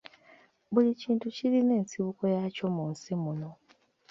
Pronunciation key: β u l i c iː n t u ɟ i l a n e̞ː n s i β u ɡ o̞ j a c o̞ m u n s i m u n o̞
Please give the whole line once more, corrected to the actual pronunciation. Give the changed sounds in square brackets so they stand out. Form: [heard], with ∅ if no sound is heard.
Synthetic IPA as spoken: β u l i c iː n t u [c] i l [i] n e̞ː n s i β u [k] o̞ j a c o̞ m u n s i m u n o̞